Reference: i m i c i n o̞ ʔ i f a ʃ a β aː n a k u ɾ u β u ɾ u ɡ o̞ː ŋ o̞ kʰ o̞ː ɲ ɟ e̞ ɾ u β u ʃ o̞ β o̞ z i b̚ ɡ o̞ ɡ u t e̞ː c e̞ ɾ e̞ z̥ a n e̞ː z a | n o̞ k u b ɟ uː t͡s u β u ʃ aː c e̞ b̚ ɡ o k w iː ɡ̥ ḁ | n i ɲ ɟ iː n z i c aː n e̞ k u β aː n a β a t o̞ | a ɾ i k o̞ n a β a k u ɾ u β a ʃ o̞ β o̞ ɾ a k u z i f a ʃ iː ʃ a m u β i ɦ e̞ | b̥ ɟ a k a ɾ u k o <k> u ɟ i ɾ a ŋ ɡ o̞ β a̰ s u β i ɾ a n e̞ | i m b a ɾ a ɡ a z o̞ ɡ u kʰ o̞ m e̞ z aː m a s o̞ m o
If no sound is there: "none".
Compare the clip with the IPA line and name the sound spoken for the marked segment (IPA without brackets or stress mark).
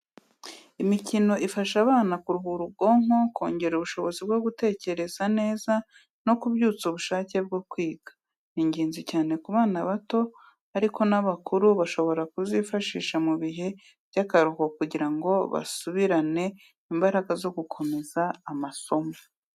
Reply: k